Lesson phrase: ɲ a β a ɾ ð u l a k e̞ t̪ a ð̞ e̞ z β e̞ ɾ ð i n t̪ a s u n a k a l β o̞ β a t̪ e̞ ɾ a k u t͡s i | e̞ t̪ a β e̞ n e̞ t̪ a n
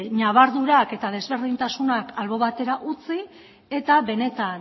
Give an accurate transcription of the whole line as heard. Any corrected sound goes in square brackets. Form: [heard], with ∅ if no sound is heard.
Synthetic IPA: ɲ a β a ɾ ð u [ɾ] a k e̞ t̪ a ð̞ e̞ z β e̞ ɾ ð i n t̪ a s u n a k a l β o̞ β a t̪ e̞ ɾ a [ʔ] u t͡s i | e̞ t̪ a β e̞ n e̞ t̪ a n